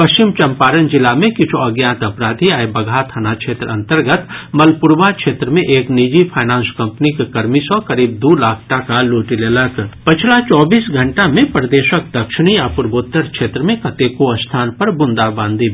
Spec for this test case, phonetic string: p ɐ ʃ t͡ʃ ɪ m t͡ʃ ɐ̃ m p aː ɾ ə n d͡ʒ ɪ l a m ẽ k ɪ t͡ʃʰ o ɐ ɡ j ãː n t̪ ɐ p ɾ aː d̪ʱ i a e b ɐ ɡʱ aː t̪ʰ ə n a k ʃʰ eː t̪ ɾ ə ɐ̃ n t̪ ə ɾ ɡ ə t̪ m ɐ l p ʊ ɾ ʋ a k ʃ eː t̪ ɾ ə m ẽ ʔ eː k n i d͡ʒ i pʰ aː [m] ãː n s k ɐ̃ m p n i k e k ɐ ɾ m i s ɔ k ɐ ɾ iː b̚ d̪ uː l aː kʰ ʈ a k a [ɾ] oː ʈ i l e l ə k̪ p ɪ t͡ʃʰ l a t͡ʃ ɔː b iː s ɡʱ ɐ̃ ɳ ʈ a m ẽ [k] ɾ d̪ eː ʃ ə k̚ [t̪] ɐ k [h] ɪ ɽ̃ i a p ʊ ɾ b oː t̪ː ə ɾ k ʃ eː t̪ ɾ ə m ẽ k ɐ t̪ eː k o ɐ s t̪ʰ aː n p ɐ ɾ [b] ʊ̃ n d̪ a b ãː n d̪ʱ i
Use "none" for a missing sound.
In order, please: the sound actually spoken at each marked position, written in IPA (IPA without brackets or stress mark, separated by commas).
n, l, p, d̪, ʃ, b